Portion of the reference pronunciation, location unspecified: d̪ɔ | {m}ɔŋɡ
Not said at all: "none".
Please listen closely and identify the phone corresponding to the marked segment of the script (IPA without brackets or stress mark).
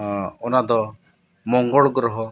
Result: m